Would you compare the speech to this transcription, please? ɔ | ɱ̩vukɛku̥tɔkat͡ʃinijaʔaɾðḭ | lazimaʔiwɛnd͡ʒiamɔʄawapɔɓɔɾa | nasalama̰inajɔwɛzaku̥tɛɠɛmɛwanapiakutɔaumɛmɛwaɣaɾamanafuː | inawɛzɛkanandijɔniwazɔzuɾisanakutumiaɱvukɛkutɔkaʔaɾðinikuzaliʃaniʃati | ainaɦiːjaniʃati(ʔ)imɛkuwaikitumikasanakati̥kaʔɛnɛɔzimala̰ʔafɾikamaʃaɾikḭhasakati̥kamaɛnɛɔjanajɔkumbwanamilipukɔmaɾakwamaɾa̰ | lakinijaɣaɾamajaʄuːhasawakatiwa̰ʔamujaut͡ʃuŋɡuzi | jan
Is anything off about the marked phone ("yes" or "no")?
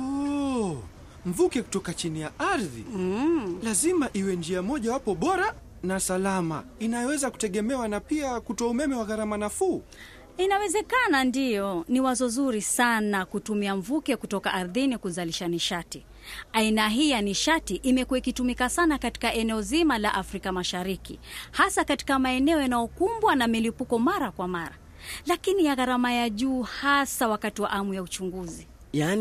no